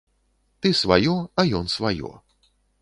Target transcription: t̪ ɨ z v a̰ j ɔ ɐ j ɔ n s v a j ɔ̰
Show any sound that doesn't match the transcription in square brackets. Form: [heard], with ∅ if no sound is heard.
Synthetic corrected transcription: t̪ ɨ [s] v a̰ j ɔ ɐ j ɔ n s v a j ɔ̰